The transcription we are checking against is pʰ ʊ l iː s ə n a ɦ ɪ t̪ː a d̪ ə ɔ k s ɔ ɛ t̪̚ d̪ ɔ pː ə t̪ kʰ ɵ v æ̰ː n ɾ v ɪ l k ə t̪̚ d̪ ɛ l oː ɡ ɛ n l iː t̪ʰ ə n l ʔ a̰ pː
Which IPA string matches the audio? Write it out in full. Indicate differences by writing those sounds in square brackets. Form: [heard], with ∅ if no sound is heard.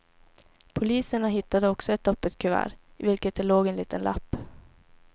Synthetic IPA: pʰ ʊ l iː s ə [ɳ] a ɦ ɪ t̪ː a d̪ ə ɔ k s ɔ ɛ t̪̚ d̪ ɔ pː ə t̪ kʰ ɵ v æ̰ː [∅] ɾ v ɪ l k ə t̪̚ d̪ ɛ l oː ɡ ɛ n l iː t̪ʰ ə n l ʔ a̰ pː